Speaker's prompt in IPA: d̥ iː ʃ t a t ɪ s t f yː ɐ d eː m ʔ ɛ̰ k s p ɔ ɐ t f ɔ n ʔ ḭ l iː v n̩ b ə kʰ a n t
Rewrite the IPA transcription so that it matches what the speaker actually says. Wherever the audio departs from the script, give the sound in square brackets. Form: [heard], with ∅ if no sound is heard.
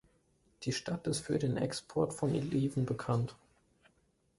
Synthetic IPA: d̥ iː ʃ t a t ɪ s t f yː ɐ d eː [n] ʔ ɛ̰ k s [pʰ] ɔ ɐ t f ɔ n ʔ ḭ l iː v n̩ b ə kʰ a n t